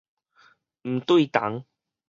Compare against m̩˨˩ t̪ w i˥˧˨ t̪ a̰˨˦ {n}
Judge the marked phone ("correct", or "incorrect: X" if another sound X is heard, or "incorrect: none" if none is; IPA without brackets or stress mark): incorrect: ŋ